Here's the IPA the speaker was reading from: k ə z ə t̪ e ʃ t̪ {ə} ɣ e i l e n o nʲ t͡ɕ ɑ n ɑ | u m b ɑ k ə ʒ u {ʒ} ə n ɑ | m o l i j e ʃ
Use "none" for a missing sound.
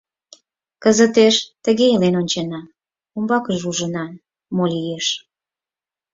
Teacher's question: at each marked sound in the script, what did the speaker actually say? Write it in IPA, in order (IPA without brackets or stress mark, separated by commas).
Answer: ə, ʒ